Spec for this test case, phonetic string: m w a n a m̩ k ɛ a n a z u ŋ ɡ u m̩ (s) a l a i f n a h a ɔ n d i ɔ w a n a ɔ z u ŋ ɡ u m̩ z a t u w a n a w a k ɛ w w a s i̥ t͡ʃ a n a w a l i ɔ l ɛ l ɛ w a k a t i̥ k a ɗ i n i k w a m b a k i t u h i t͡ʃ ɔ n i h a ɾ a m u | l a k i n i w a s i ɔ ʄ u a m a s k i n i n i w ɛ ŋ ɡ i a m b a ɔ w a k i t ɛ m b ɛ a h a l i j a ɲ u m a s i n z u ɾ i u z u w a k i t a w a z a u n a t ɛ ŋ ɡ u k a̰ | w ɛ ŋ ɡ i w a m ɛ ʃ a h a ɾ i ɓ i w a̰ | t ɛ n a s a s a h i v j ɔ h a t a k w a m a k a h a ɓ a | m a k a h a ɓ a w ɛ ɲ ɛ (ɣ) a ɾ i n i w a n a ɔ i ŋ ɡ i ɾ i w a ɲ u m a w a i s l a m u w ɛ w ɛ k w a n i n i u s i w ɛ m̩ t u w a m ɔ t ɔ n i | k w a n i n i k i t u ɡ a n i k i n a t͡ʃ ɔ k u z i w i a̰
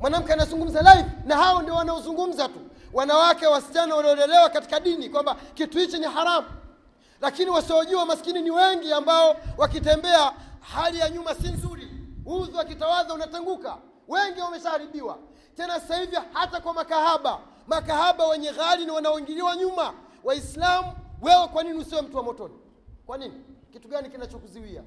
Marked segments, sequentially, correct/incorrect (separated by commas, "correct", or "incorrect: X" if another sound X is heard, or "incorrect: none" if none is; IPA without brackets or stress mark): incorrect: z, correct